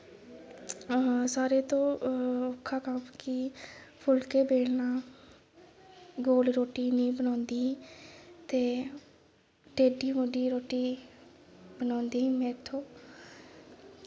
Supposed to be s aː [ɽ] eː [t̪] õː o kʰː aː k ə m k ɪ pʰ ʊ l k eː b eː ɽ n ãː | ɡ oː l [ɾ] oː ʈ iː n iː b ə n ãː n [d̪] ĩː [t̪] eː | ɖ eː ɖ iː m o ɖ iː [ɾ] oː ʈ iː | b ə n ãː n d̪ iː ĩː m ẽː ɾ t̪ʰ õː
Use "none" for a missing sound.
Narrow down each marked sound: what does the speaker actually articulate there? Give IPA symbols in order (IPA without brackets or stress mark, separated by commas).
ɾ, t̪, ɾ, d̪, t̪, ɾ